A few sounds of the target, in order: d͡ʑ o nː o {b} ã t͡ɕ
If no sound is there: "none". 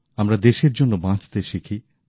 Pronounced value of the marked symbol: b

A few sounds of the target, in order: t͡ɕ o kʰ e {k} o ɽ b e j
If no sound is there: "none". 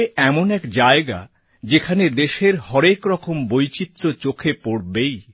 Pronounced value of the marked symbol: p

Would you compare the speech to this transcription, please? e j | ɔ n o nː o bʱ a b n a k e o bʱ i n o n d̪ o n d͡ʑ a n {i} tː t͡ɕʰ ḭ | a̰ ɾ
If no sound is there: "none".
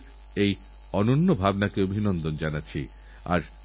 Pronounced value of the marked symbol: a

